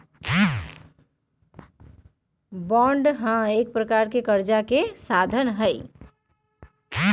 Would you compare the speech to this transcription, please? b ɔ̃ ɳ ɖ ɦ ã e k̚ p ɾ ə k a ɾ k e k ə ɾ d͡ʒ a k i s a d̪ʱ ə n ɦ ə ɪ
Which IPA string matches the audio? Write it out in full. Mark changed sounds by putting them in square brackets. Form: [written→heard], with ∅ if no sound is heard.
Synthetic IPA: b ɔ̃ ɳ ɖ ɦ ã e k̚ p ɾ ə k a ɾ k e k ə ɾ d͡ʒ a k [i→e] s a d̪ʱ ə n ɦ ə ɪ